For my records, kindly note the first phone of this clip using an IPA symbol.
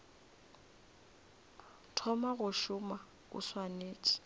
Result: tʰ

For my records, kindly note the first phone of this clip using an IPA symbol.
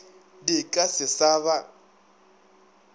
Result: d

